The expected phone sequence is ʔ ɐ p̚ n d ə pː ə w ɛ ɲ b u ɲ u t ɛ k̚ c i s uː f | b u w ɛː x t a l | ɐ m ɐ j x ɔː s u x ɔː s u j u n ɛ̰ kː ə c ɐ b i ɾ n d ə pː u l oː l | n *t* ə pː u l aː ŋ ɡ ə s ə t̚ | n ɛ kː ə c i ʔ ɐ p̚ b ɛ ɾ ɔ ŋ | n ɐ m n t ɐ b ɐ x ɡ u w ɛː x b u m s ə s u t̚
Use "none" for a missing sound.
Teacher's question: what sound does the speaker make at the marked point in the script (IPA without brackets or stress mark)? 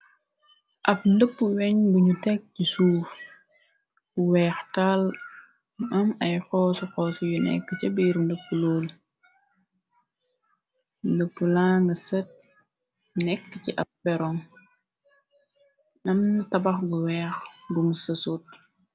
d